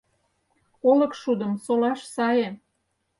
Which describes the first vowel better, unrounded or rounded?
rounded